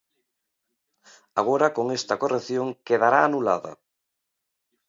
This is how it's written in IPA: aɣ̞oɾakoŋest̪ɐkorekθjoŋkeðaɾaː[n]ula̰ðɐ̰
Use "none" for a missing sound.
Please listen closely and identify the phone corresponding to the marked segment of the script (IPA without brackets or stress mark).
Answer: n